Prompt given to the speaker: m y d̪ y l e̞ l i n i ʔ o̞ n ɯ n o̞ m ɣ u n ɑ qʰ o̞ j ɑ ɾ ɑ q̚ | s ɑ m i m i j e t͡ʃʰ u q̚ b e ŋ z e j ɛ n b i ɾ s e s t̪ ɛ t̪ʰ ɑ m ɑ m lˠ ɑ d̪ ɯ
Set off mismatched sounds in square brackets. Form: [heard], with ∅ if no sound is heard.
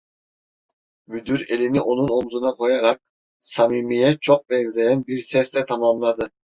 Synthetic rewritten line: m y d̪ y [ɾ] e̞ l i n i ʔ o̞ n [u] n o̞ m [z] u n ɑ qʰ o̞ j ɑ ɾ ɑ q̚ | s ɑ m i m i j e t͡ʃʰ [o] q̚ b e ŋ z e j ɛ n b i ɾ s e s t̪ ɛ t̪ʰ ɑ m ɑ m lˠ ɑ d̪ ɯ

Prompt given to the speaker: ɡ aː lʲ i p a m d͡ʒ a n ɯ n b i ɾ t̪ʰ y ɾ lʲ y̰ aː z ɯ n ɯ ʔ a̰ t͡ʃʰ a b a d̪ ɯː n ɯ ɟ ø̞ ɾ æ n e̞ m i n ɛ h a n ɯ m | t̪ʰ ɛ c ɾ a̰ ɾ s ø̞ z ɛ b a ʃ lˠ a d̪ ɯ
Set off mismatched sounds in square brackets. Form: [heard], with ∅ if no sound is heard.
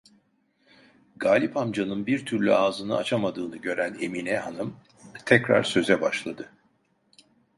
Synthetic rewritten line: ɡ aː lʲ i p a m d͡ʒ a n ɯ n b i ɾ t̪ʰ y ɾ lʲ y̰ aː z ɯ n ɯ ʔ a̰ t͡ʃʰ a [m] a d̪ ɯː n ɯ ɟ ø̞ ɾ æ n e̞ m i n ɛ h a n ɯ m | t̪ʰ ɛ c ɾ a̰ ɾ s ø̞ z ɛ b a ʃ lˠ a d̪ ɯ

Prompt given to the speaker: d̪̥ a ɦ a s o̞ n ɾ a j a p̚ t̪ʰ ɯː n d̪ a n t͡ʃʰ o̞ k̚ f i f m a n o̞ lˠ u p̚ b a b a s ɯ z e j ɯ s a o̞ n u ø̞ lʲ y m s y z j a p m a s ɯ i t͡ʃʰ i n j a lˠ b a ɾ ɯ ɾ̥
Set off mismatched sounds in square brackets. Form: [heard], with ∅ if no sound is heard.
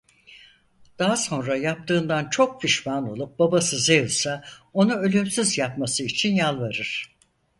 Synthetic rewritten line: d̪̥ a ɦ a s o̞ n ɾ a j a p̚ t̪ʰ ɯː n d̪ a n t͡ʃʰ o̞ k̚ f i [ʃ] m a n o̞ lˠ u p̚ b a b a s ɯ z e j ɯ s a o̞ n u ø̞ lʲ y m s y z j a p m a s ɯ i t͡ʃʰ i n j a lˠ [v] a ɾ ɯ ɾ̥

